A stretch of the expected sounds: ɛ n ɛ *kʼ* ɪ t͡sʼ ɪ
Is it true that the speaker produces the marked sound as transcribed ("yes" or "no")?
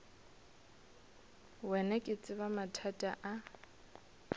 yes